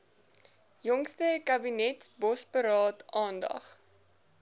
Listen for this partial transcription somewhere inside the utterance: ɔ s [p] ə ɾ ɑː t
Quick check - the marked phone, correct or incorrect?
correct